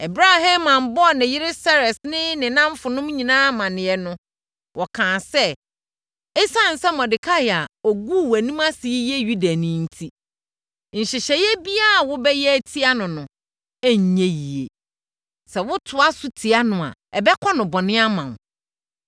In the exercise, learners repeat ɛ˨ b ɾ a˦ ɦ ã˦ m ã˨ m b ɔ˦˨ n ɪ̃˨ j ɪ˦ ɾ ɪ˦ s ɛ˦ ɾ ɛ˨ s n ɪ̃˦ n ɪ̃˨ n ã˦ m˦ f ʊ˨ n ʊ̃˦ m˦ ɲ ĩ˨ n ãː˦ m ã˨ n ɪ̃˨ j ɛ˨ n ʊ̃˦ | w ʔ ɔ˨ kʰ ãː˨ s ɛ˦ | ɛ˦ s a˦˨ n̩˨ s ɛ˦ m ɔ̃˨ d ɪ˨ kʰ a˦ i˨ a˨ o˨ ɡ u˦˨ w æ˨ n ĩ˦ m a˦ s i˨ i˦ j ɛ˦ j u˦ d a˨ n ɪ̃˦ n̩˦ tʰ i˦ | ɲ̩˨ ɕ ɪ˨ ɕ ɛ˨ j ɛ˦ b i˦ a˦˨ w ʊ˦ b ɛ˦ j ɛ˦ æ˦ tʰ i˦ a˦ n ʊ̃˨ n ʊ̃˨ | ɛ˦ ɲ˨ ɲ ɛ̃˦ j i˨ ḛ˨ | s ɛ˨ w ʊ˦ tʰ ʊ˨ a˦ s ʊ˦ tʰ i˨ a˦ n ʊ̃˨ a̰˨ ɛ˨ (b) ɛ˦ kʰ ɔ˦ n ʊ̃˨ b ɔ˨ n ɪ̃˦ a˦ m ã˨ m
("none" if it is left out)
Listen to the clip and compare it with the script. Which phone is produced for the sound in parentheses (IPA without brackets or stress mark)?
b